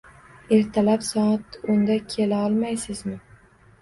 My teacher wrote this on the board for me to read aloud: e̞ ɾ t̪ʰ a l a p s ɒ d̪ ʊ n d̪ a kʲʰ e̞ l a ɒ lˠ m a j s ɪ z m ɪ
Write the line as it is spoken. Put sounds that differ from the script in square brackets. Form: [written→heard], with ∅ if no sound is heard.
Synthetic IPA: e̞ ɾ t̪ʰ a l a p s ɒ [d̪→t̪] ʊ n d̪ a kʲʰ e̞ l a ɒ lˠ m a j s ɪ z m ɪ